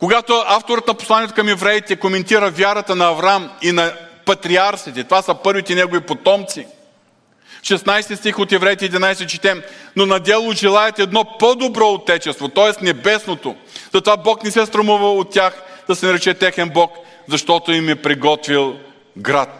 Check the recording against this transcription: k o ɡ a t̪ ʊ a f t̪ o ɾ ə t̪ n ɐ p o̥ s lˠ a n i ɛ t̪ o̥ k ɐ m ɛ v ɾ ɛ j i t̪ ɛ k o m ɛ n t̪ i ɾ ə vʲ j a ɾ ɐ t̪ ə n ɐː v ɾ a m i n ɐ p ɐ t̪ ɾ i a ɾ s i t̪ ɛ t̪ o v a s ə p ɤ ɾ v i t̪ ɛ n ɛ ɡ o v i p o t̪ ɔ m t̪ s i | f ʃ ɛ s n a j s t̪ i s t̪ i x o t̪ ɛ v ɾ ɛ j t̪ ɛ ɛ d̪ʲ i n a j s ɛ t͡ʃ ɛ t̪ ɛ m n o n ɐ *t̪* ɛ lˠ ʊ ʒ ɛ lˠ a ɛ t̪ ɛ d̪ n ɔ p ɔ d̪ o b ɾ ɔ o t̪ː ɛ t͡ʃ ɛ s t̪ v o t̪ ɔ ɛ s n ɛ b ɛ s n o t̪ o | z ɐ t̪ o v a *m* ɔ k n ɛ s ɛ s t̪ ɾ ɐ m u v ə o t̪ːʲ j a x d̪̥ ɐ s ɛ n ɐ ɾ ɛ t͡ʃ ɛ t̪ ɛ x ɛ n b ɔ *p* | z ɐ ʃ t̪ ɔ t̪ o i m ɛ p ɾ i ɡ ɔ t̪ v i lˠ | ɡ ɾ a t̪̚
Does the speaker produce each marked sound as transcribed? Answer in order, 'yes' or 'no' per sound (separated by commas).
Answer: no, no, no